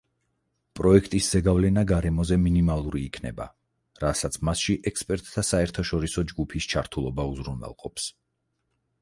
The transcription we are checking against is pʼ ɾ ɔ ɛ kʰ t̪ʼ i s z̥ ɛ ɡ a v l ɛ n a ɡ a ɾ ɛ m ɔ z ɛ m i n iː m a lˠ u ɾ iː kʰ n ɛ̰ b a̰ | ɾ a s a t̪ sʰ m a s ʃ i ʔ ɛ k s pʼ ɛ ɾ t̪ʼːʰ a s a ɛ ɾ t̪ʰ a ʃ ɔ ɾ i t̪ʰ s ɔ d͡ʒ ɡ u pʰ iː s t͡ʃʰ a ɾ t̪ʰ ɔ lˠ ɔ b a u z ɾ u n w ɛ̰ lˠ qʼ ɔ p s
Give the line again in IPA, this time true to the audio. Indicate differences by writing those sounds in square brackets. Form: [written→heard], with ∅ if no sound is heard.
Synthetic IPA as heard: pʼ ɾ ɔ ɛ kʰ t̪ʼ i s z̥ ɛ ɡ a v l ɛ n a ɡ a ɾ ɛ m ɔ z ɛ m i n [iː→i] m a lˠ u ɾ iː kʰ n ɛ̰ b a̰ | ɾ a s a t̪ sʰ m a s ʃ i ʔ ɛ k s pʼ ɛ ɾ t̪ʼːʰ a s a ɛ ɾ t̪ʰ a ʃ ɔ ɾ i [t̪ʰ→∅] s ɔ d͡ʒ ɡ u pʰ [iː→i] s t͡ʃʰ a ɾ t̪ʰ [ɔ→u] lˠ ɔ b a u z ɾ u n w ɛ̰ lˠ qʼ ɔ p s

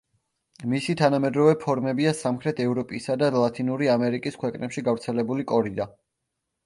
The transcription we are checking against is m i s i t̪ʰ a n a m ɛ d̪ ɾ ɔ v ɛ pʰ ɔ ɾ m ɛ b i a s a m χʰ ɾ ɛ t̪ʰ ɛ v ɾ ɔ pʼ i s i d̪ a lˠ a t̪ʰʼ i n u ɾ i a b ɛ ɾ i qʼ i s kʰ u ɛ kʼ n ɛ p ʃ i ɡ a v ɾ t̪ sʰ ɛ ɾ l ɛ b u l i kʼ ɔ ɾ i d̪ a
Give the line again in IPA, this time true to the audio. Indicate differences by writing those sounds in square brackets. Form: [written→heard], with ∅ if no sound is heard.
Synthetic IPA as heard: m i s i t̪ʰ a n a m ɛ d̪ ɾ ɔ v ɛ pʰ ɔ ɾ m ɛ b i a s a m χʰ ɾ ɛ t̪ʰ ɛ v ɾ ɔ pʼ i s [i→a] d̪ a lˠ a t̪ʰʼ i n u ɾ i a [b→m] ɛ ɾ i [qʼ→kʼ] i s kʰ [u→w] ɛ kʼ n ɛ p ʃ i ɡ a v ɾ t̪ sʰ ɛ [ɾ→∅] l ɛ b u l i kʼ ɔ ɾ i d̪ a

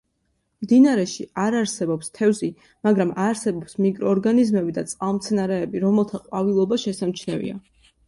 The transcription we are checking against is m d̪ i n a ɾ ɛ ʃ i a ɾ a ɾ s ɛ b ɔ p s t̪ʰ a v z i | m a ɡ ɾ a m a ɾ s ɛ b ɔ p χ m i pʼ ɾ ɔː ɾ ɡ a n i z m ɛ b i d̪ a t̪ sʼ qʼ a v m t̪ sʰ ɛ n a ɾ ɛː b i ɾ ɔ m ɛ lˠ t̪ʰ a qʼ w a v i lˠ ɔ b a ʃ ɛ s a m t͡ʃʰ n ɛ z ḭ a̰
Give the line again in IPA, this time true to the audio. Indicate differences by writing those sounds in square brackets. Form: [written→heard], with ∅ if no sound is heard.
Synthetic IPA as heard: m d̪ i n a ɾ ɛ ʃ i a ɾ a ɾ s ɛ b ɔ p s t̪ʰ [a→ɛ] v z i | m a ɡ ɾ a m a ɾ s ɛ b ɔ p [χ→s] m i [pʼ→kʼ] ɾ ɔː ɾ ɡ a n i z m ɛ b i d̪ a t̪ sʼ qʼ a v m t̪ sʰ ɛ n a ɾ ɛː b i ɾ ɔ m ɛ lˠ t̪ʰ a qʼ w a v i lˠ ɔ b a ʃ ɛ s a m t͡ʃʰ n ɛ [z→v] ḭ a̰

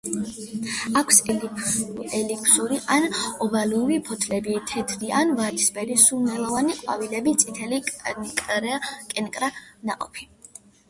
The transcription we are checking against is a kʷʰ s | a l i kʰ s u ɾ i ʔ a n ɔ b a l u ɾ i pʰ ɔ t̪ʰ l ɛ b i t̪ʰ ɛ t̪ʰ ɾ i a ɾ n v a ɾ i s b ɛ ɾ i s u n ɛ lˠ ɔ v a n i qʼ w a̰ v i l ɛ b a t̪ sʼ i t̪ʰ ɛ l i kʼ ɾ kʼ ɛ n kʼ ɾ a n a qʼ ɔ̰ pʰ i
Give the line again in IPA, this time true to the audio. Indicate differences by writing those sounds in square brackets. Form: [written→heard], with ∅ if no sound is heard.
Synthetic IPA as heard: a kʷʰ s | [a→ɛ] l i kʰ s u ɾ i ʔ a n ɔ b a l u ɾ i pʰ ɔ t̪ʰ l ɛ b i t̪ʰ ɛ t̪ʰ ɾ i a [ɾ→∅] n v a ɾ i s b ɛ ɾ i s u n ɛ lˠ ɔ v a n i qʼ w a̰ v i l ɛ b [a→i] t̪ sʼ i t̪ʰ ɛ l i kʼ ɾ kʼ ɛ n kʼ ɾ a n a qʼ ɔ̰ pʰ i

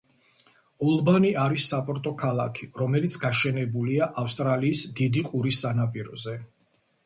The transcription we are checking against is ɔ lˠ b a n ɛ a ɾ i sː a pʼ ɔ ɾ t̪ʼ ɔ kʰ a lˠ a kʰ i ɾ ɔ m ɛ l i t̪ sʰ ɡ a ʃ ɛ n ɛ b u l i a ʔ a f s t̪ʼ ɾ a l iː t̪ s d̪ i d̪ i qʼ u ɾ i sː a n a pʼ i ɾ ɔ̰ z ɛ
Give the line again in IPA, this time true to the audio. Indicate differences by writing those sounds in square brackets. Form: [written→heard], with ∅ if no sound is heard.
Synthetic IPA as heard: ɔ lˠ b a n [ɛ→i] a ɾ i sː a pʼ ɔ ɾ t̪ʼ ɔ kʰ a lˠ a kʰ i ɾ ɔ m ɛ l i t̪ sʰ ɡ a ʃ ɛ n ɛ b u l i a ʔ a f s t̪ʼ ɾ a l iː [t̪→∅] s d̪ i d̪ i qʼ u ɾ i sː a n a pʼ i ɾ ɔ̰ z ɛ

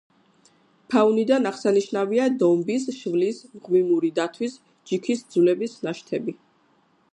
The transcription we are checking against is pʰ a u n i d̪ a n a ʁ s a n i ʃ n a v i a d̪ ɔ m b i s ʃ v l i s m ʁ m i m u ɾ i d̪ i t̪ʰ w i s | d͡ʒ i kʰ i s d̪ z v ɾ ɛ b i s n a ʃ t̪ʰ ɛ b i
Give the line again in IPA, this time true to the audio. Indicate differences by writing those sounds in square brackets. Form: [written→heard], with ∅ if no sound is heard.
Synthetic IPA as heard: pʰ a u n i d̪ a n a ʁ s a n i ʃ n a v i a d̪ ɔ m b i s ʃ v l i s m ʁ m i m u ɾ i d̪ [i→a] t̪ʰ w i s | d͡ʒ i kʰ i s d̪ z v [ɾ→l] ɛ b i s n a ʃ t̪ʰ ɛ b i

